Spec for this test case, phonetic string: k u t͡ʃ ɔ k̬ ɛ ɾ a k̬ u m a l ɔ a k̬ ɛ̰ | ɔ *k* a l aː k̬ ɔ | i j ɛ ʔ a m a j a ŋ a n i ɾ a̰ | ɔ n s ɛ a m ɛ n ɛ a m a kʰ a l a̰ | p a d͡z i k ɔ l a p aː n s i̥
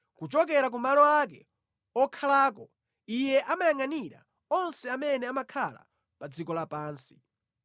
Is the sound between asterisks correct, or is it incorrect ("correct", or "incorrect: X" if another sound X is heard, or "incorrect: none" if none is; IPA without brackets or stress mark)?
incorrect: kʰ